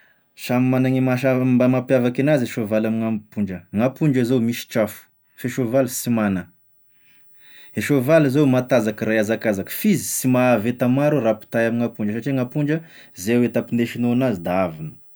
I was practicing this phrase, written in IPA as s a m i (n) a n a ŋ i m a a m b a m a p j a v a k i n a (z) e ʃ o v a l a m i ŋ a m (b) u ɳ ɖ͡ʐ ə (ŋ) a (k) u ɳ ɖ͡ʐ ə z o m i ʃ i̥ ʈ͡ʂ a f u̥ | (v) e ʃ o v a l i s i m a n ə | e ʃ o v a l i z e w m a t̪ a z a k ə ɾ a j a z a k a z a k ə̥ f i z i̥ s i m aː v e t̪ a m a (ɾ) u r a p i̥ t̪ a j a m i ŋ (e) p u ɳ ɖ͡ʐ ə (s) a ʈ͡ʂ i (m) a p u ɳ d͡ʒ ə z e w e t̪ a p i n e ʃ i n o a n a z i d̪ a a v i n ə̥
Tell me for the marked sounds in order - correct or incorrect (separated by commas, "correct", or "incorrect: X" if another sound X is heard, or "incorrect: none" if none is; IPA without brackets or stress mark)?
incorrect: m, correct, incorrect: p, correct, incorrect: p, incorrect: f, correct, incorrect: a, correct, incorrect: ŋ